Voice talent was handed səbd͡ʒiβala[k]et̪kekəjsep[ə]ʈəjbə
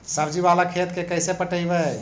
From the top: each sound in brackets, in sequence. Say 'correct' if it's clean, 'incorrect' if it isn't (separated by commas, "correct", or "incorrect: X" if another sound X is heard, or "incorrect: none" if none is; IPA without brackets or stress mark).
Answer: incorrect: kʰ, correct